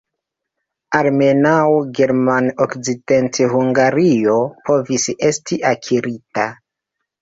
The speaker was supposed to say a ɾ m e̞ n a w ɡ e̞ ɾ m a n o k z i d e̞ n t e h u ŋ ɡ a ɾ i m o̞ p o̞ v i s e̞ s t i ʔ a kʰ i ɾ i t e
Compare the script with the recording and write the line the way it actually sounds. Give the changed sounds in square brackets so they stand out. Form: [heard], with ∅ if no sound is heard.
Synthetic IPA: a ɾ m e̞ n a w ɡ e̞ ɾ m a n o k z i d e̞ n t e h u ŋ ɡ a ɾ i [∅] o̞ p o̞ v i s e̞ s t i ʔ a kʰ i ɾ i t [a]